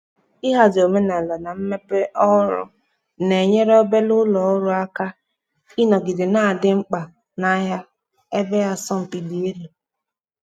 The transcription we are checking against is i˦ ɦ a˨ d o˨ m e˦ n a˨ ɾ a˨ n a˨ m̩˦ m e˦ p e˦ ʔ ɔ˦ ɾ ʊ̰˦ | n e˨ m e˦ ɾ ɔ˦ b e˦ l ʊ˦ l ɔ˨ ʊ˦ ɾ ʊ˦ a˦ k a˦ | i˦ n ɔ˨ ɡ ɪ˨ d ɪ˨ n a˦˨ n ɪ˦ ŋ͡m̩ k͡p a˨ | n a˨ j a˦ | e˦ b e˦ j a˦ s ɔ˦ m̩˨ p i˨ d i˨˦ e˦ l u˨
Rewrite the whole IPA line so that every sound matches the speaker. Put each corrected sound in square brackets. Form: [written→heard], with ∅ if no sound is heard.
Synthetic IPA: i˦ ɦ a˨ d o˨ m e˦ n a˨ [ɾ→l] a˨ n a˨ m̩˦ m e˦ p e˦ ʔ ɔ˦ ɾ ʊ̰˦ | n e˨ [m→ɲ] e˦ ɾ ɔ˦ b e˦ l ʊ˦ l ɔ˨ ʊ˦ ɾ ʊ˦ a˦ k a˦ | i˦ n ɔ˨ ɡ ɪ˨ d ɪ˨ n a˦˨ [n→d] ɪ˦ ŋ͡m̩ k͡p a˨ | n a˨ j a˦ | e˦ b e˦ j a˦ s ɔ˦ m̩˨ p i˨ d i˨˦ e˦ l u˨